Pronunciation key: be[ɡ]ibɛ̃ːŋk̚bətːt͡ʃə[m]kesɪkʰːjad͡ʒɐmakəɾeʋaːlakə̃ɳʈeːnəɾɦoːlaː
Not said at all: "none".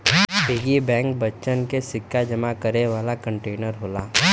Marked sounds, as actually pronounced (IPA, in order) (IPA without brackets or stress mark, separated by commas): ɡ, n